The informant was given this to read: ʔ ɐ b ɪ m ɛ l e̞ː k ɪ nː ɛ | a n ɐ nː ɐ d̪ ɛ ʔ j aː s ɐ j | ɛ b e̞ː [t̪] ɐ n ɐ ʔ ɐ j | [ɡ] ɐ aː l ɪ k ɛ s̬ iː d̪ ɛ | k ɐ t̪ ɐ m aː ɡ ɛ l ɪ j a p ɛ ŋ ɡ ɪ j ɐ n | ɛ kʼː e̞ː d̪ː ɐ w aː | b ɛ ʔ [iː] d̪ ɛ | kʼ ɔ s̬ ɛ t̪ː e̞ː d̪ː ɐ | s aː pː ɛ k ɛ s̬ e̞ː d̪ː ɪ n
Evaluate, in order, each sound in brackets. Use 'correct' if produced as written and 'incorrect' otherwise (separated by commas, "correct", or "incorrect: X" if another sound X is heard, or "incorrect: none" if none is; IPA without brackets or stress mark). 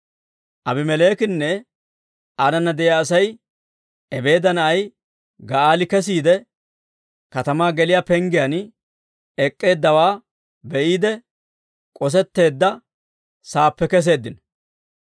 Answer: incorrect: d̪, correct, correct